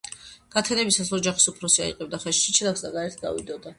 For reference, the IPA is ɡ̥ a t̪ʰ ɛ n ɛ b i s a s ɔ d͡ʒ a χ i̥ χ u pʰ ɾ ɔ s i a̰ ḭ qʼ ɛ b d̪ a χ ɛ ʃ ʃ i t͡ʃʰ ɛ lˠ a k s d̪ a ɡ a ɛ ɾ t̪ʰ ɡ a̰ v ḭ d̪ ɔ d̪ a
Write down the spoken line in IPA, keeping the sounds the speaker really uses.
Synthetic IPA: ɡ̥ a t̪ʰ ɛ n ɛ b i s a s ɔ d͡ʒ a χ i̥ s u pʰ ɾ ɔ s i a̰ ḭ qʼ ɛ b d̪ a χ ɛ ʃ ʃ i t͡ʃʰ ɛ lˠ a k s d̪ a ɡ a ɛ ɾ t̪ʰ ɡ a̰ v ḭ d̪ ɔ d̪ a